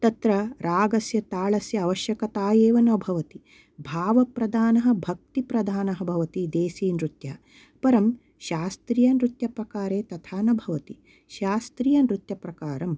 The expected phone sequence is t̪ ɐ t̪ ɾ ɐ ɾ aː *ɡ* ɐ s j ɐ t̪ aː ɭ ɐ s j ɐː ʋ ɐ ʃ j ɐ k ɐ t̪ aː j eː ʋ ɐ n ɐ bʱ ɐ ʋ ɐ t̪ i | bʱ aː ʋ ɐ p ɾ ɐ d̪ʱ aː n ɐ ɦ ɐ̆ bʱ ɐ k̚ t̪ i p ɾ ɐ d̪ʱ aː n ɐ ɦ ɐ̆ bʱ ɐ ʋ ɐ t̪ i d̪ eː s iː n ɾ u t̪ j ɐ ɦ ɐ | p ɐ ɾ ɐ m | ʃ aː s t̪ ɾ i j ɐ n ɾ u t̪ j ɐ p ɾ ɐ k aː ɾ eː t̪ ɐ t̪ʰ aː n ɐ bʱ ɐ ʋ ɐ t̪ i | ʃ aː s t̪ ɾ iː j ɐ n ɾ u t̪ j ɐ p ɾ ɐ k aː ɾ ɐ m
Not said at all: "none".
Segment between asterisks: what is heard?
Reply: ɡ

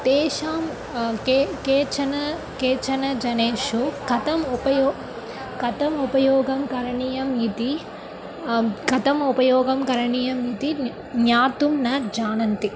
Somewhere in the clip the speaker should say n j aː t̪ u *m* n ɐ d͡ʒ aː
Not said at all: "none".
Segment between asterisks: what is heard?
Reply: m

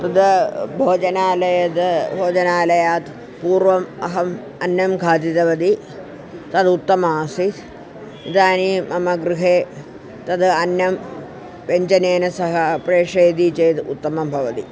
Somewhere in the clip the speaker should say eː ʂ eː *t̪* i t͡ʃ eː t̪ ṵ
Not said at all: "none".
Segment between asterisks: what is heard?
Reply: d̪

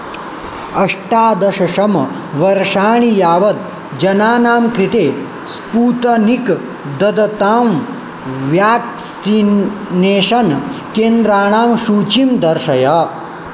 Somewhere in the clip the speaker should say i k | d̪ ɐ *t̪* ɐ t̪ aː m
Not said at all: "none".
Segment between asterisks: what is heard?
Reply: d̪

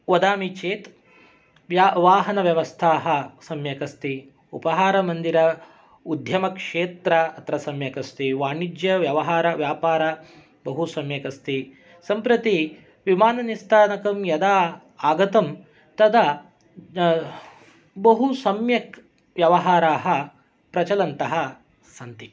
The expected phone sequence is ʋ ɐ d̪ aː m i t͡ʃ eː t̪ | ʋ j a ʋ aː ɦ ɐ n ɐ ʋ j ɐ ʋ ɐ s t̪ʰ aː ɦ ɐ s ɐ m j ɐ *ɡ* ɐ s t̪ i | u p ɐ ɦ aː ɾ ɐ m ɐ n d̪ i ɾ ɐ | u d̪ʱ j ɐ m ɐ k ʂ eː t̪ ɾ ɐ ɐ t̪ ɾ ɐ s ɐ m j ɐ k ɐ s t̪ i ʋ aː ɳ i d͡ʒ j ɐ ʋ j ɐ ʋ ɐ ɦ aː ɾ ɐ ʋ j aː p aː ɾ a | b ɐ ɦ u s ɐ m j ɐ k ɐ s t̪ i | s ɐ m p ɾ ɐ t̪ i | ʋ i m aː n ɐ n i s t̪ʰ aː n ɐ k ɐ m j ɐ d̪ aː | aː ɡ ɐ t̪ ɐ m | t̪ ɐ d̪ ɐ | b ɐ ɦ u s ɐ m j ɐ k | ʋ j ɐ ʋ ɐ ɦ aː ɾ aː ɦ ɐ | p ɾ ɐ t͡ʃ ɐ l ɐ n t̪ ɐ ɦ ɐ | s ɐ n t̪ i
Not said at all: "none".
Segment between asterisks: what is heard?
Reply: k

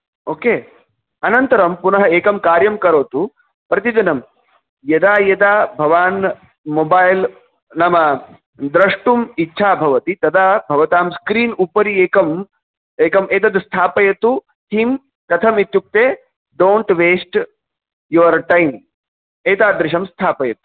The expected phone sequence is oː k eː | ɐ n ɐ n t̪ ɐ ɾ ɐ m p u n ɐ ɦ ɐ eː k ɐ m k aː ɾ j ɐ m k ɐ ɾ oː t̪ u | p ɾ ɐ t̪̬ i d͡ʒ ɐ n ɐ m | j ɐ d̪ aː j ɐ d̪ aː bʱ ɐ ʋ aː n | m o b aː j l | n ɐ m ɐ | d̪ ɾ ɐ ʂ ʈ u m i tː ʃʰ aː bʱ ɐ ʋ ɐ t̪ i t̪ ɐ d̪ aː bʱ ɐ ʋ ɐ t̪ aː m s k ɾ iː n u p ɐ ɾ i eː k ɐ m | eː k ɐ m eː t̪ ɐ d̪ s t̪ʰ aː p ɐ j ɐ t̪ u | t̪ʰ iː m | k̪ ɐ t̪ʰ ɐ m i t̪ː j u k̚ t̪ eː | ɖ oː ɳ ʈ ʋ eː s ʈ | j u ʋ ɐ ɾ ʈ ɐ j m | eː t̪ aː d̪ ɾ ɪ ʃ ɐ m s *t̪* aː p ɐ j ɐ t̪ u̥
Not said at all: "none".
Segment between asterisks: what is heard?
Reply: t̪ʰ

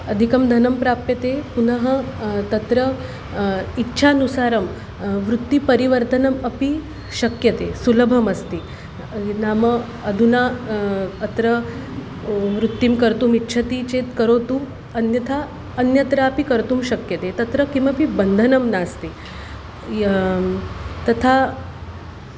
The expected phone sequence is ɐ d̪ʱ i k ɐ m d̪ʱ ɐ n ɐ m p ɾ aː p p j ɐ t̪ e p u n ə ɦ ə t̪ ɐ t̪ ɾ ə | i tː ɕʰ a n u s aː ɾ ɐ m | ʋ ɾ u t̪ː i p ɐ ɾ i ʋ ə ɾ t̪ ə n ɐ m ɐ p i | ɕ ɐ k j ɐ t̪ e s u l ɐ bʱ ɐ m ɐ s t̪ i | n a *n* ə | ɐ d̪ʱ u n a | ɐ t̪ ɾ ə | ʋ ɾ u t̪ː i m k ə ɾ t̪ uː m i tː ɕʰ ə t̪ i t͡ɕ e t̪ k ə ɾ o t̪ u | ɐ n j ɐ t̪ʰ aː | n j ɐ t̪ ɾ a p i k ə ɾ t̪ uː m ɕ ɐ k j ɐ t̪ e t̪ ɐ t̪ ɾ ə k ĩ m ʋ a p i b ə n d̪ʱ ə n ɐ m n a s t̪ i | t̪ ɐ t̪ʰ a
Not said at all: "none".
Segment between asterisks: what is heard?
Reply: m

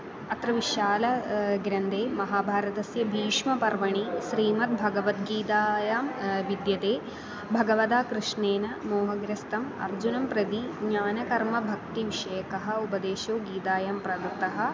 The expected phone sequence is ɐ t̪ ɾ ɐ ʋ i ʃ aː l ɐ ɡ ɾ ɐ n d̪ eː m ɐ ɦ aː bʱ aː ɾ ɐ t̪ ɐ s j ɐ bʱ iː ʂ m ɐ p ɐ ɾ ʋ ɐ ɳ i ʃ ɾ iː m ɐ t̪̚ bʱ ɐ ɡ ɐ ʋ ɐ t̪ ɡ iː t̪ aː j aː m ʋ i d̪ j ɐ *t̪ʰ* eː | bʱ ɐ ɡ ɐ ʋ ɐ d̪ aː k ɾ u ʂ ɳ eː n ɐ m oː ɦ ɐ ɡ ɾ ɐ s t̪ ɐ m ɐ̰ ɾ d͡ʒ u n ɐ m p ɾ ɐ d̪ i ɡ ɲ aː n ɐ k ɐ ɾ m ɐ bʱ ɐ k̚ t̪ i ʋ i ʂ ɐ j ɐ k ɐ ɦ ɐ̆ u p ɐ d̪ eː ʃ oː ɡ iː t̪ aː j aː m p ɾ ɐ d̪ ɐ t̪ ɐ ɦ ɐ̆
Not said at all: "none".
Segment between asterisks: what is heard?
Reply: t̪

